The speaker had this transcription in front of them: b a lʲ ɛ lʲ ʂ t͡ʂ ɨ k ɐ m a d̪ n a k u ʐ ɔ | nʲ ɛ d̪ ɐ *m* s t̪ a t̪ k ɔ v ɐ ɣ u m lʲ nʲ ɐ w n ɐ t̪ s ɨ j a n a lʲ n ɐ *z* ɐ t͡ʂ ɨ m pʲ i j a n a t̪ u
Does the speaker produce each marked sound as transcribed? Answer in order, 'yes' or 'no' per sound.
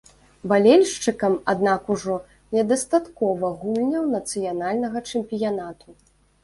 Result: no, no

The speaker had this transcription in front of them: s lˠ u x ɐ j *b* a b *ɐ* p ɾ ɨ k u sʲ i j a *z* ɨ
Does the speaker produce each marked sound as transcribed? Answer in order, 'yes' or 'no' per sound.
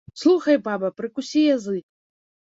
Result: yes, yes, yes

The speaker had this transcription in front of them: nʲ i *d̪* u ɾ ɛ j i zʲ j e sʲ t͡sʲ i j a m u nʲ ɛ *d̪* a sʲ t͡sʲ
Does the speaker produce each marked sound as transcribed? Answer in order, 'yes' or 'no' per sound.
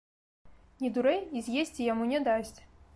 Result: yes, yes

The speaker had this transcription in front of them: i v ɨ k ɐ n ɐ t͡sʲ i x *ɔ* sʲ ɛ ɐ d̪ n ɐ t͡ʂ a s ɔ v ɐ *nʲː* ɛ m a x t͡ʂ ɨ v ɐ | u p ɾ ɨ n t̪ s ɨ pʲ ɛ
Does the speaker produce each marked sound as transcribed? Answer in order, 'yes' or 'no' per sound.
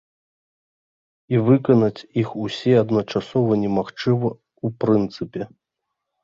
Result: no, no

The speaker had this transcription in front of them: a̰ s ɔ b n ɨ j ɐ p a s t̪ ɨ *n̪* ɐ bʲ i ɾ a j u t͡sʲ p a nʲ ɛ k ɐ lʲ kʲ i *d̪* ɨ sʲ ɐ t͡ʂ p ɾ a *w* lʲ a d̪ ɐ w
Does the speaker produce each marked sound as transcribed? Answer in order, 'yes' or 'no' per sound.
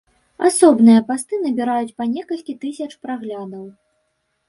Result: yes, no, no

